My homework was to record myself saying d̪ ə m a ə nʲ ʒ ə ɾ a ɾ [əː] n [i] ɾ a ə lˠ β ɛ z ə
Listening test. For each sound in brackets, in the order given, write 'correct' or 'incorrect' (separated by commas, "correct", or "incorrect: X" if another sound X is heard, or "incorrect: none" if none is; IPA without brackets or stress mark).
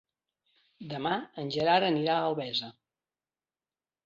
incorrect: ə, correct